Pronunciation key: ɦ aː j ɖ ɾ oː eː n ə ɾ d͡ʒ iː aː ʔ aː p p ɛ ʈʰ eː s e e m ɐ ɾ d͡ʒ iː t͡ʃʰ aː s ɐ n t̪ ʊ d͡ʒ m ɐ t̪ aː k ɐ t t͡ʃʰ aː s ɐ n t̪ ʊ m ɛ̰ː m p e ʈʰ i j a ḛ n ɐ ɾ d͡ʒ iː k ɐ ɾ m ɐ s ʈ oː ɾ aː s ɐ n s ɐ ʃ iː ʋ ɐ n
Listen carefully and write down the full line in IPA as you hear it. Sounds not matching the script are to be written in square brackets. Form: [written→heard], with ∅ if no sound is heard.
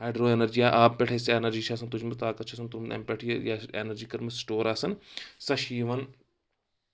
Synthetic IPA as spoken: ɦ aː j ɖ ɾ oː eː n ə ɾ d͡ʒ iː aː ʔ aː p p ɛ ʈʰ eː s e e [m→n] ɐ ɾ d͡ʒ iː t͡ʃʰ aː s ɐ n t̪ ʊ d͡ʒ m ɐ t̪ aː k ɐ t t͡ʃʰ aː s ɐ n t̪ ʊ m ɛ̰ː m p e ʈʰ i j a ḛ n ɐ ɾ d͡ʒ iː k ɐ ɾ m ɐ s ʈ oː ɾ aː s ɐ n s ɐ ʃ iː ʋ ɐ n